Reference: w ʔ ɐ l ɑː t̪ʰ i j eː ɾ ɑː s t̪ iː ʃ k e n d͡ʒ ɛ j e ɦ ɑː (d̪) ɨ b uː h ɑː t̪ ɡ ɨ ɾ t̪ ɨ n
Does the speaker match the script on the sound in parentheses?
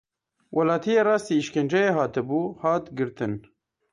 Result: no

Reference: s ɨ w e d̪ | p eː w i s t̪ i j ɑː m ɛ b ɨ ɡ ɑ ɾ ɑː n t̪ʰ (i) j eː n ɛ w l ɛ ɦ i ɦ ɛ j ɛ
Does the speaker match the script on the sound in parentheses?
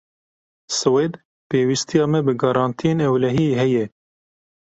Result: yes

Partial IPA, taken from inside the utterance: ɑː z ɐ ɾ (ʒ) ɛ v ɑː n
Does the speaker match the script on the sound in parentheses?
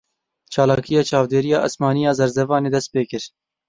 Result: no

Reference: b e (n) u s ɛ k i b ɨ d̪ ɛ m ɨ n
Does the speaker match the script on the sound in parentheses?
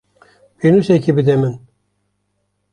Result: yes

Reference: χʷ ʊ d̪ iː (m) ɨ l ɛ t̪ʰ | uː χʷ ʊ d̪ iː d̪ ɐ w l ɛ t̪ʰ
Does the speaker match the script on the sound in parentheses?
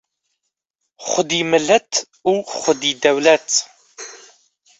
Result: yes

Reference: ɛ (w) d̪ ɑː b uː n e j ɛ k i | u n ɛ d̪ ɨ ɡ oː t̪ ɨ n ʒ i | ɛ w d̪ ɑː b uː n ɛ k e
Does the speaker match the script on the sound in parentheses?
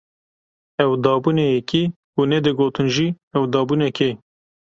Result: yes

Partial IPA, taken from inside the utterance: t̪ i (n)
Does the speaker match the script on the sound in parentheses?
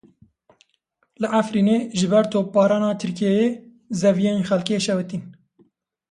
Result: yes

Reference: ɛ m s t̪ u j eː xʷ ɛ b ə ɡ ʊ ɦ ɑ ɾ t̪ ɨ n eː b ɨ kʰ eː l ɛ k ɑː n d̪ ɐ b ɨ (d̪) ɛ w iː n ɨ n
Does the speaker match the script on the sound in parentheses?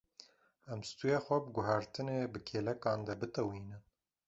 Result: no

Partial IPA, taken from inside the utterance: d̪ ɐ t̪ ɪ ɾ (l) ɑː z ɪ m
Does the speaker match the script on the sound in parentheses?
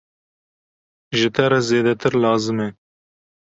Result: yes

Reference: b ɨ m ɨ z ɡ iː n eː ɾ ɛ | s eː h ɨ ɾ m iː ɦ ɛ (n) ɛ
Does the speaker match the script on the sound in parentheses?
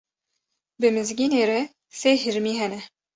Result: yes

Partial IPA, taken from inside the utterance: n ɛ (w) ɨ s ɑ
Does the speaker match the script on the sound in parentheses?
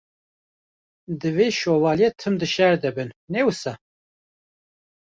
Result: yes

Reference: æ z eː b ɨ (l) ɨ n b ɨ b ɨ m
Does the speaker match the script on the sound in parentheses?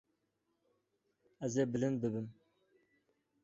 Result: yes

